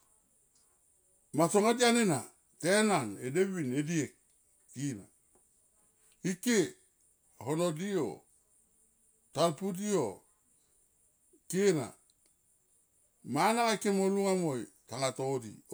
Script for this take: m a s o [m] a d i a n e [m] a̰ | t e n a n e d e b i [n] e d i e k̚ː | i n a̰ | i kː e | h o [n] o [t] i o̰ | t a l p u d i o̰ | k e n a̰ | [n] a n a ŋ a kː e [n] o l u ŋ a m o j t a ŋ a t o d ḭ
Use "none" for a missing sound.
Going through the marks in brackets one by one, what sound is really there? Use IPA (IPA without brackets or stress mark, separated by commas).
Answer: ŋ, n, n, n, d, m, m